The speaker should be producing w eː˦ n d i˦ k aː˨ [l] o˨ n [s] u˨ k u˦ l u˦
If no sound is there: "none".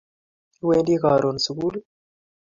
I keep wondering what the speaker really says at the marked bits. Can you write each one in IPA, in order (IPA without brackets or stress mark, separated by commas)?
ɾ, s